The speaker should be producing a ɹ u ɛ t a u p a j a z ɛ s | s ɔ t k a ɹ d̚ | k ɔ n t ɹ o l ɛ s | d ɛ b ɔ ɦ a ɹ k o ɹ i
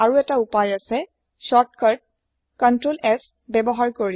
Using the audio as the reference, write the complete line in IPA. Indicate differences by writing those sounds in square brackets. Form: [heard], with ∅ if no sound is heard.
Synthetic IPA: a ɹ u ɛ t a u p a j a [s] ɛ [∅] | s ɔ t k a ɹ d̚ | k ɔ n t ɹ o l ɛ s | [b] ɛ b ɔ ɦ a ɹ k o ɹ i